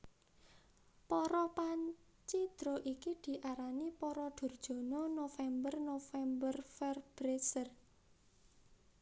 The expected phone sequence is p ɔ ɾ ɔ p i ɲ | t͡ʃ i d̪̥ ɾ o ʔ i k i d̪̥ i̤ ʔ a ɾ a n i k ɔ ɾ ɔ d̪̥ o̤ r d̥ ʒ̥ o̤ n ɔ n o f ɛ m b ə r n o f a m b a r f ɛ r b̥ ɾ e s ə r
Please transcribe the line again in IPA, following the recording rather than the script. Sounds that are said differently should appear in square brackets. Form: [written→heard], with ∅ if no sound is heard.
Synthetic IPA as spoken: p ɔ ɾ ɔ p [i→a] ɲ | t͡ʃ i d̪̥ ɾ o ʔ i k i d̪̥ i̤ ʔ a ɾ a n i [k→p] ɔ ɾ ɔ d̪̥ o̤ r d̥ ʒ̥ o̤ n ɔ n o f ɛ m b ə r n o f [a→ɛ] m b [a→ə] r f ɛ r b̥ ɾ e s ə r